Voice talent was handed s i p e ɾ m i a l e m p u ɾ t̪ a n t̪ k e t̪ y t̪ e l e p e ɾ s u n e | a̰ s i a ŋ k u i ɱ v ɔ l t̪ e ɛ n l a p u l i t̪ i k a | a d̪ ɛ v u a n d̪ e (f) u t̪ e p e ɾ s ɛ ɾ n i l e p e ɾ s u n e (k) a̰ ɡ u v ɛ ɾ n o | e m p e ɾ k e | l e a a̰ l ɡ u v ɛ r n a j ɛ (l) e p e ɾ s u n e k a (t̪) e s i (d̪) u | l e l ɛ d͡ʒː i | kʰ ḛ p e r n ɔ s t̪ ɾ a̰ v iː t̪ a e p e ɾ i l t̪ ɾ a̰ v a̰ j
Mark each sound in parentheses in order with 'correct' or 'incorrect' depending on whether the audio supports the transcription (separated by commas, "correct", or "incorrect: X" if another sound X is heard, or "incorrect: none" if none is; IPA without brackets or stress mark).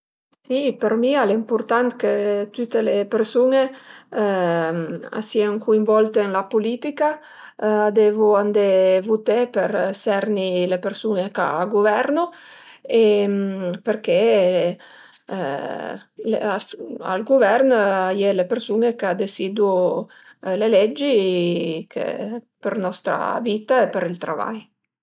incorrect: v, correct, correct, incorrect: d̪, correct